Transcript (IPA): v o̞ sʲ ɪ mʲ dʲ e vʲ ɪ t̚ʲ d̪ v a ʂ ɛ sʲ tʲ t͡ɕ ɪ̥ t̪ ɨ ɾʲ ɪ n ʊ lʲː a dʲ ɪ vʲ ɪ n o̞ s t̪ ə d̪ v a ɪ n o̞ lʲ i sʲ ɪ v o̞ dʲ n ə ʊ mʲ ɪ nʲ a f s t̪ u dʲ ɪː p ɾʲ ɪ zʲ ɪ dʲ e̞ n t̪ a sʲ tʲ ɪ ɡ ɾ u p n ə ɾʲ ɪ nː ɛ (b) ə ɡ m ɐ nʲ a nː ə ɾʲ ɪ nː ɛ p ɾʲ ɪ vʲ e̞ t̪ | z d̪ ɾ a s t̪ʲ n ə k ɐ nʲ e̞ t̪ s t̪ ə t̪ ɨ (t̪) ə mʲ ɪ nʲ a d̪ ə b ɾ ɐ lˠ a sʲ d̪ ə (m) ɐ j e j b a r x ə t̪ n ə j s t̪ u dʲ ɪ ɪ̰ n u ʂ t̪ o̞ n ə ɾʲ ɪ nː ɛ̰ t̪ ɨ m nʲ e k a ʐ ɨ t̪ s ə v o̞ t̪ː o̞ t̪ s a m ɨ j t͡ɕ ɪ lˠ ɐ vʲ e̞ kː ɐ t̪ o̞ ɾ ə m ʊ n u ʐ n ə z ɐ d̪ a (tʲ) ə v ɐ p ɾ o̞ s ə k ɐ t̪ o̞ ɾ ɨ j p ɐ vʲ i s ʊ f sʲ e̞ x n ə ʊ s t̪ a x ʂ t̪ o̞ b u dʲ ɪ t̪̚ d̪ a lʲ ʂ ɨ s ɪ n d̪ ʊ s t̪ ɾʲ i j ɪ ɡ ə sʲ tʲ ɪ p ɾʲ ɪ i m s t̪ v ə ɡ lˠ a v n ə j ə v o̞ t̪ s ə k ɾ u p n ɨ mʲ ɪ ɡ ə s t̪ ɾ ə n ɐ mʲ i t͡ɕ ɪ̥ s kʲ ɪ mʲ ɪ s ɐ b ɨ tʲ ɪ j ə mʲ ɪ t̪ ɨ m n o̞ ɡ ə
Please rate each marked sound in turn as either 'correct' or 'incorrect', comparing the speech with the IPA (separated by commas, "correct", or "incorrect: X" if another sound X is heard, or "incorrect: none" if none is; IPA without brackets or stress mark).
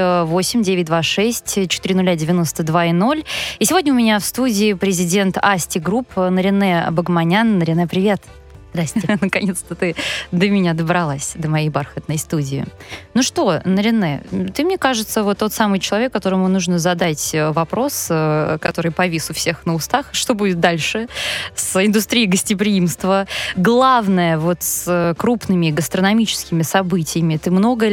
correct, incorrect: d̪, correct, correct